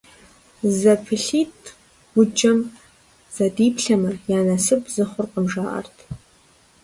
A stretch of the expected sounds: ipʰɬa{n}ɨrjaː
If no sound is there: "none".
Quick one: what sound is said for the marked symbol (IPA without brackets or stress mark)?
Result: m